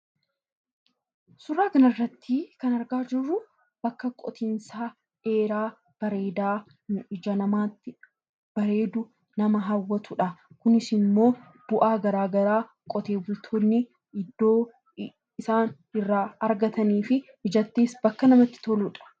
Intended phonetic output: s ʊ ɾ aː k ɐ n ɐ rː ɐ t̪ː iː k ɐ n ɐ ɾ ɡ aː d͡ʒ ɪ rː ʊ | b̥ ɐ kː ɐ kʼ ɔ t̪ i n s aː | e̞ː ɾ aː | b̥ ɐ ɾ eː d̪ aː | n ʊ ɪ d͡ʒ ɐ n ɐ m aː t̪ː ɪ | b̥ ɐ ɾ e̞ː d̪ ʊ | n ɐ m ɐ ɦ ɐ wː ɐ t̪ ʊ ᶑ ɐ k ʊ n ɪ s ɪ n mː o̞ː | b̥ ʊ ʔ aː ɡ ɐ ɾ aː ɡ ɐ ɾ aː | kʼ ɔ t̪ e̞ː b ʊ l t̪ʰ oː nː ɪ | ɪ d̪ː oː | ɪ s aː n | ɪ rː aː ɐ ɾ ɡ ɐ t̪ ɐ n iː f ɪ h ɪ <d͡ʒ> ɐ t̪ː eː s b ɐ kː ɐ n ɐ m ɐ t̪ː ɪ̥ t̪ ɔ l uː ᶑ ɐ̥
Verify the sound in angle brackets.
correct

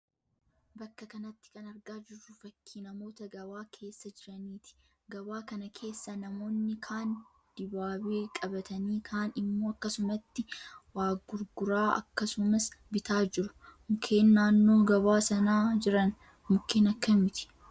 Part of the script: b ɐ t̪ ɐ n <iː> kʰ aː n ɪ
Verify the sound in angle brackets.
correct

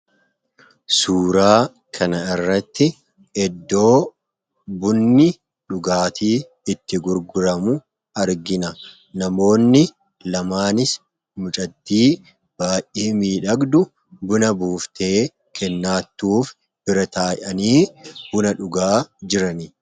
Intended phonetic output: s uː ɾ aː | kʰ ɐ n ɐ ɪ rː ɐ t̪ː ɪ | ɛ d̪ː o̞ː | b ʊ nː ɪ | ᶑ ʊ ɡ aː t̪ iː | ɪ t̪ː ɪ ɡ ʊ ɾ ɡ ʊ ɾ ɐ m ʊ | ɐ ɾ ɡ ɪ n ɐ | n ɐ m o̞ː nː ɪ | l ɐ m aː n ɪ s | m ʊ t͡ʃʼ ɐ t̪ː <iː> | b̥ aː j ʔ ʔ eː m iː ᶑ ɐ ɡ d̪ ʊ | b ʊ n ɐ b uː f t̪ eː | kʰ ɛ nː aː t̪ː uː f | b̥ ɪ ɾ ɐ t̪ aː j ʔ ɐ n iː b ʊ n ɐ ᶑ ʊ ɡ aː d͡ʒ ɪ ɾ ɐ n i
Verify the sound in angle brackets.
correct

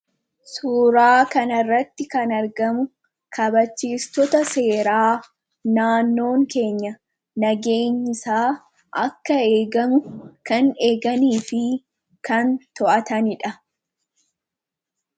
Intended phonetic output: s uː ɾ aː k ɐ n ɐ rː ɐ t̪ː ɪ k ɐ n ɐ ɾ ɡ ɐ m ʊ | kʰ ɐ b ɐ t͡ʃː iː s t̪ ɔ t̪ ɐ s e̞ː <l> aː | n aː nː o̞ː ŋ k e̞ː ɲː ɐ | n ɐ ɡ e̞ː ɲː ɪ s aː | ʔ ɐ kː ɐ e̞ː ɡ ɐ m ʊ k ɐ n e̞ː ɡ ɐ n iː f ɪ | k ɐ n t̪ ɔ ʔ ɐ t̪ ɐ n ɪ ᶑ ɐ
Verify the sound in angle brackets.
incorrect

